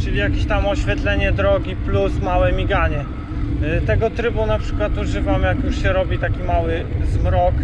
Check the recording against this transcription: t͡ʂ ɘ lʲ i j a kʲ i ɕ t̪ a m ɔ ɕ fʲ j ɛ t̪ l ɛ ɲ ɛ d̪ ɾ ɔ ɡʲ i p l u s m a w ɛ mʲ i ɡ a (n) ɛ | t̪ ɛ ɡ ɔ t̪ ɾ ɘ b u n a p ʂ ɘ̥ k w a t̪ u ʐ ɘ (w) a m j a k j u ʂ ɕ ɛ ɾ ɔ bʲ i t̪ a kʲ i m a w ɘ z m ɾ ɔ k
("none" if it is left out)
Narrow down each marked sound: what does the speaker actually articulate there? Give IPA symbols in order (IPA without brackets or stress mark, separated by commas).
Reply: ɲ, v